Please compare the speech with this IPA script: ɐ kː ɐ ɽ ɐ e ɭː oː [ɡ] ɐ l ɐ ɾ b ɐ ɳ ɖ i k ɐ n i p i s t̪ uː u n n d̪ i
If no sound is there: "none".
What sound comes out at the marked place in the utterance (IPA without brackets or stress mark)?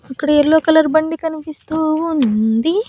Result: k